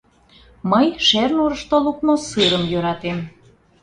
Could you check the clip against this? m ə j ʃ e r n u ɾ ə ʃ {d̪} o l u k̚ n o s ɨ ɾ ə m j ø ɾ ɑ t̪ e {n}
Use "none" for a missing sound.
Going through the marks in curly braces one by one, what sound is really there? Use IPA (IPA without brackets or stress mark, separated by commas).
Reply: t̪, m